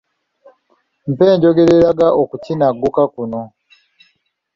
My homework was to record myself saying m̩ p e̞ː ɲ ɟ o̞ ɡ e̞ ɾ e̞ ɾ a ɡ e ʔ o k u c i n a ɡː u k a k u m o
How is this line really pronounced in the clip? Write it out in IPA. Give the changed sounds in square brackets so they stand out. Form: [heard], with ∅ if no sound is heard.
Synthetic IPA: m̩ p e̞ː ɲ ɟ o̞ ɡ e̞ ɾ e̞ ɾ a ɡ [a] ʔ o k u c i n a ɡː u k a k u [n] o